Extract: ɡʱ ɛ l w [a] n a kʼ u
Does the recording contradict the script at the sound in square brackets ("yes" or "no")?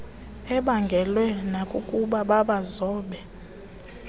yes